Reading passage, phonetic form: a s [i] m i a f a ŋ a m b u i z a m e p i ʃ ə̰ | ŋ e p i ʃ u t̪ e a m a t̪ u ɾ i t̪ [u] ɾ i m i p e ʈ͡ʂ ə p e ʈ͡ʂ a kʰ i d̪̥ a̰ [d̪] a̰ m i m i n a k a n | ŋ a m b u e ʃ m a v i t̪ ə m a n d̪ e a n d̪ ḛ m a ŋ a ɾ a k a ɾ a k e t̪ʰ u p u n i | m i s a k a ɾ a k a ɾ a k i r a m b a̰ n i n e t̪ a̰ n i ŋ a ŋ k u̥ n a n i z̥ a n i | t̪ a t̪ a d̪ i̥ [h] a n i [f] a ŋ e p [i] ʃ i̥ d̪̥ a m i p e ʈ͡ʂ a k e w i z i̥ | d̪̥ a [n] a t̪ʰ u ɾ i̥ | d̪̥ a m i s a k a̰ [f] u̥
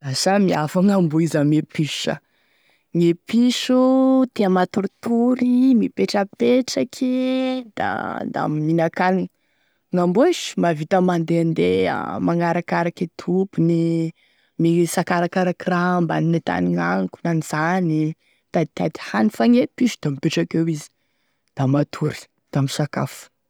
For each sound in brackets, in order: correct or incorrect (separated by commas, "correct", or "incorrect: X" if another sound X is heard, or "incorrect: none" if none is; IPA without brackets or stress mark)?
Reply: incorrect: a, correct, correct, correct, correct, correct, incorrect: m, correct